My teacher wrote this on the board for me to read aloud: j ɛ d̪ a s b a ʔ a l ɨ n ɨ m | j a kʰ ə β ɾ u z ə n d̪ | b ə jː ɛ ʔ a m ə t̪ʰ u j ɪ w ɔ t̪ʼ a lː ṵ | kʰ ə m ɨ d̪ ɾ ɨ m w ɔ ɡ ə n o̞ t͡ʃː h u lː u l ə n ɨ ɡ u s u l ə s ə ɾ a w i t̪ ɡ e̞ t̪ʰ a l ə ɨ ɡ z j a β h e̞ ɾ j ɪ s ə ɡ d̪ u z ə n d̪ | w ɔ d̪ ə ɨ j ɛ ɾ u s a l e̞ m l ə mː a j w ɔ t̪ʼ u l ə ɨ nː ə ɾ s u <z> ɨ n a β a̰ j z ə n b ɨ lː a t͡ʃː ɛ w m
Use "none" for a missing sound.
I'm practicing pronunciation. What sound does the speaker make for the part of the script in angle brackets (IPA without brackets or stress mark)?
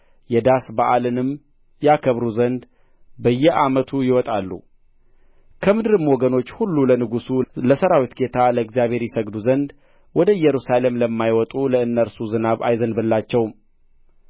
z